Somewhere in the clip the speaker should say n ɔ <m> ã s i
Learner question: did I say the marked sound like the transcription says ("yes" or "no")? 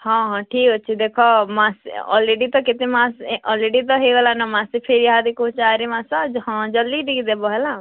yes